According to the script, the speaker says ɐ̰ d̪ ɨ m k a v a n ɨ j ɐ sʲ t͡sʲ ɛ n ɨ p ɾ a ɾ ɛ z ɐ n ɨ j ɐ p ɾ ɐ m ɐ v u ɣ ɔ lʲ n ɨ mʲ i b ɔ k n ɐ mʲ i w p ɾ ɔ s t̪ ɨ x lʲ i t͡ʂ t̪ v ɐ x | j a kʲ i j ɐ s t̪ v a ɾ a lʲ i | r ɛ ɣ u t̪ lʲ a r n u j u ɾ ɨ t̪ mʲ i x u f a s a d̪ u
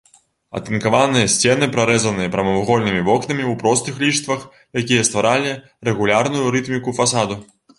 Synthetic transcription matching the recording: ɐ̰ t̪ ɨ n k a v a n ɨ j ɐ sʲ t͡sʲ ɛ n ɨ p ɾ a ɾ ɛ z ɐ n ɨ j ɐ p ɾ ɐ m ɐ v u ɣ ɔ lʲ n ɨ mʲ i v ɔ k n ɐ mʲ i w p ɾ ɔ s t̪ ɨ x lʲ i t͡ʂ t̪ v ɐ x | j a kʲ i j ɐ s t̪ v a ɾ a lʲ i | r ɛ ɣ u lʲ a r n u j u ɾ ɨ t̪ mʲ i k u f a s a d̪ u